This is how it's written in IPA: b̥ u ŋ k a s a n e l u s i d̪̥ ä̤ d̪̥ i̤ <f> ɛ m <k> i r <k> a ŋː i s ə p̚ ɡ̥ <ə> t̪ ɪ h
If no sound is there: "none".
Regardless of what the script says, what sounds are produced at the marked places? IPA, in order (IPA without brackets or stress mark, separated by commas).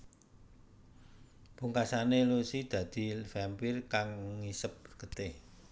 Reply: f, p, k, ə